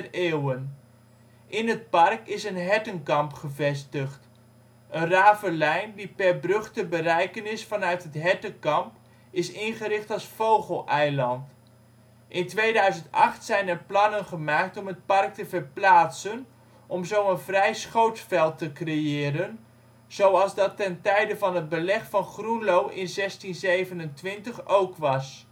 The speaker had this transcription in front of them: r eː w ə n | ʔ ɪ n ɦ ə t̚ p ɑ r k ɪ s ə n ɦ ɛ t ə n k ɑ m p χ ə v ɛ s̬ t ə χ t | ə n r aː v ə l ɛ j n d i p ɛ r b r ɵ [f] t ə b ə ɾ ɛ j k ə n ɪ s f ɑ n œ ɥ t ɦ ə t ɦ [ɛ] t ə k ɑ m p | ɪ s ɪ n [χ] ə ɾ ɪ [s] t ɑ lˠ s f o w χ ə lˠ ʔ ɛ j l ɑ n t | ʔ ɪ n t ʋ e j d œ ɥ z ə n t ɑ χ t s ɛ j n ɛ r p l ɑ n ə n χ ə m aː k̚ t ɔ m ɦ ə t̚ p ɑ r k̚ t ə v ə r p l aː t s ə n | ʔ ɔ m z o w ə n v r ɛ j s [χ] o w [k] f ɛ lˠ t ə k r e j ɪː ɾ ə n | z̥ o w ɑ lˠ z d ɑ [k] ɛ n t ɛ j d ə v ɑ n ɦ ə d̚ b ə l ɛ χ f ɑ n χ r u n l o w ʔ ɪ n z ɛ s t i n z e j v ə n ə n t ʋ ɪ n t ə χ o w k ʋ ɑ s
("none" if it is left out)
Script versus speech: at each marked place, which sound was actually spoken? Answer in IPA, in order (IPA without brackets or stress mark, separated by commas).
χ, ɛ, χ, χ, χ, t, t